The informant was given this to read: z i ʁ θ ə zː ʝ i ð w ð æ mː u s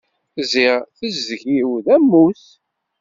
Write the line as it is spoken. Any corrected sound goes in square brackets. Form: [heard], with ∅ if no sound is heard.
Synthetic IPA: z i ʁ θ ə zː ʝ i [∅] w ð æ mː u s